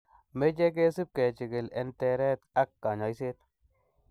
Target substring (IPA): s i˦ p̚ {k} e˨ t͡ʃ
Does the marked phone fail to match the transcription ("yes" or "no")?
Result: no